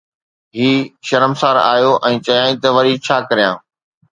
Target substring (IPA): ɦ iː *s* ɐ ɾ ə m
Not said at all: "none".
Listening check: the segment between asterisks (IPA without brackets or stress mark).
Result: ʃ